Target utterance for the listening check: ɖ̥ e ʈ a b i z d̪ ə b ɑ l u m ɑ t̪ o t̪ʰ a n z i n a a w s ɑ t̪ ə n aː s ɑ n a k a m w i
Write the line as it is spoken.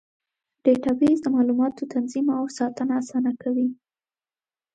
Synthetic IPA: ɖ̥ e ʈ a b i z d̪ ə m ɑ l u m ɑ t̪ o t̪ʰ a n z i m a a w s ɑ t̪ ə n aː s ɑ n a k a w i